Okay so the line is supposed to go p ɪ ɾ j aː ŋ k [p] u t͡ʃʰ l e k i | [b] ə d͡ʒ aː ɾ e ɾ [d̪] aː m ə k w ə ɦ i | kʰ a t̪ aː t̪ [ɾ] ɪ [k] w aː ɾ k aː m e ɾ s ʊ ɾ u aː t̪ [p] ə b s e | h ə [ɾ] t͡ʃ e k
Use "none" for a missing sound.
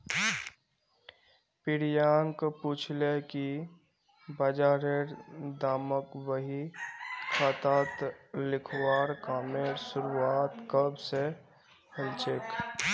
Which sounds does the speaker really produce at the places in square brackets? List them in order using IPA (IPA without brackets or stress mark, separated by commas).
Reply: p, b, d̪, l, kʰ, k, l